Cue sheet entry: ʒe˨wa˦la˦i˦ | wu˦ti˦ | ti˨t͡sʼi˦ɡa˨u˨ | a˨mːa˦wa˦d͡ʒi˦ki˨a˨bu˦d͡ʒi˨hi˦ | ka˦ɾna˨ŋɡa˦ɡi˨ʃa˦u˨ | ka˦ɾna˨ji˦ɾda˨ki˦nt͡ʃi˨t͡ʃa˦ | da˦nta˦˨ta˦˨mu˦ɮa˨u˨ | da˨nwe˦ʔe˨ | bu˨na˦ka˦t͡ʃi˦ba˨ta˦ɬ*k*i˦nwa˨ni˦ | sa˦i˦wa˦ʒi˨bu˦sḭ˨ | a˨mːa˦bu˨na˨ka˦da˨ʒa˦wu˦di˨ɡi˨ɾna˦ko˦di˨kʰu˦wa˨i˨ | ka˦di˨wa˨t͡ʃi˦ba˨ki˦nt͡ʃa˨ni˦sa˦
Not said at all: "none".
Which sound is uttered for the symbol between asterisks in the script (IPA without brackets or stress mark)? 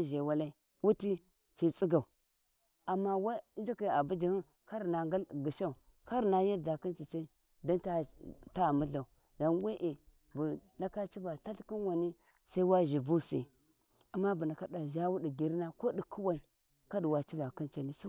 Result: k